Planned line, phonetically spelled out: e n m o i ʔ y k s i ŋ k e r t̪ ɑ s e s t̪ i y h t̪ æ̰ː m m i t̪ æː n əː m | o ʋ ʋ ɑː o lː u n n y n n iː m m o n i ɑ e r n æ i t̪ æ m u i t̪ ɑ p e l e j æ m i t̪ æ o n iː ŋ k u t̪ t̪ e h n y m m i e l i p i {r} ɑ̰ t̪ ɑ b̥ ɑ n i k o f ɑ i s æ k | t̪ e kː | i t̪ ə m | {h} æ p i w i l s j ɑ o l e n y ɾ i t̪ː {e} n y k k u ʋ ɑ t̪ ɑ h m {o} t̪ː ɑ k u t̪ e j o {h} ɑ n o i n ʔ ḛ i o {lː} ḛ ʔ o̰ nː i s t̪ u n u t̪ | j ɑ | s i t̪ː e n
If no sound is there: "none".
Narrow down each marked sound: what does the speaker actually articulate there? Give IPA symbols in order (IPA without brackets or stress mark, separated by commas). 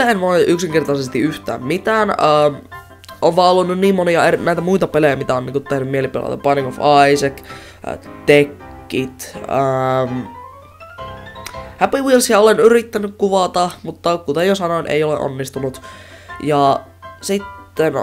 l, h, æ, u, s, l